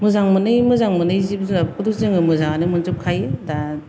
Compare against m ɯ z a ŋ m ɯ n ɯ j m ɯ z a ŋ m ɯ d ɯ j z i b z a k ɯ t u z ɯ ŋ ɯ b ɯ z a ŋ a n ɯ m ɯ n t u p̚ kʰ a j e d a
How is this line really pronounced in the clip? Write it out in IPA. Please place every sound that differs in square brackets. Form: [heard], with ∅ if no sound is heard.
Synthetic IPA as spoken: m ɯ z a ŋ m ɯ n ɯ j m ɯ z a ŋ m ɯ [n] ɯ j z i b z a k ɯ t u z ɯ ŋ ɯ [m] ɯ z a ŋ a n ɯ m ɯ n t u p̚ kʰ a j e d a